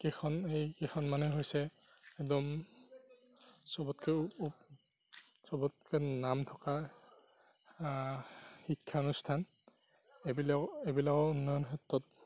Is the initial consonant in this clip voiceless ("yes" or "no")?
yes